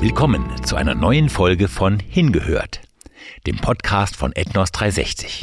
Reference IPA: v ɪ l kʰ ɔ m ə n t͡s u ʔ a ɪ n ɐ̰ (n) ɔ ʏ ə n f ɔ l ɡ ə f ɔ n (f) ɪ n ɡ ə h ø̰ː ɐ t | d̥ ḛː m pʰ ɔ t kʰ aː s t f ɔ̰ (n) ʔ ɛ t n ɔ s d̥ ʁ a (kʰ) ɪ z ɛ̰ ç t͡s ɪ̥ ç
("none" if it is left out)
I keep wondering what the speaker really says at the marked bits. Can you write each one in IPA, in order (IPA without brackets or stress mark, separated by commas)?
n, h, n, none